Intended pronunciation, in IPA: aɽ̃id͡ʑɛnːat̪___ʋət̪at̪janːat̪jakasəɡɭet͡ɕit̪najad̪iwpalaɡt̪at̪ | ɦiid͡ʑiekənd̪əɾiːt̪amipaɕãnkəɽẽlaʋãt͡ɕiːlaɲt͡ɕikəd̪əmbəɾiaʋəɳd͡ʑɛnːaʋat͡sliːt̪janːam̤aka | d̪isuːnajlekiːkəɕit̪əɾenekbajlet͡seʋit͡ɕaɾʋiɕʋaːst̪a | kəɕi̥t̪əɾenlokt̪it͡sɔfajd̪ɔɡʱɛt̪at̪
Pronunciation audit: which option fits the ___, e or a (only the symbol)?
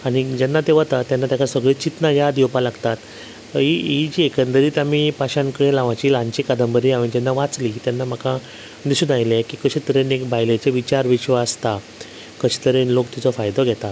e